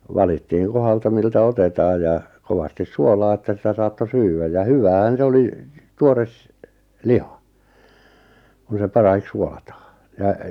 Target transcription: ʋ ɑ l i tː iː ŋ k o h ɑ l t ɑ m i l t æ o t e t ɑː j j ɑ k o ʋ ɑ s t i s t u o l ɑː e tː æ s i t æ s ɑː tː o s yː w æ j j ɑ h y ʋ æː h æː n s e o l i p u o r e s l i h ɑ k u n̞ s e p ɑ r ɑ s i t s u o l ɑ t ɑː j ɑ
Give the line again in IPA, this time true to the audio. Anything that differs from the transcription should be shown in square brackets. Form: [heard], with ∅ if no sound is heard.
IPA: ʋ ɑ l i tː iː ŋ k o h ɑ l t ɑ m i l t æ o t e t ɑː j j ɑ k o ʋ ɑ s t i s [s] u o l ɑː e tː æ s i t æ s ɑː tː o s yː w æ j j ɑ h y ʋ æː h [æ] n s e o l i [t] u o r e s l i h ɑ k u n̞ s e p ɑ r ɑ [h] i [k] s u o l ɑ t ɑː j ɑ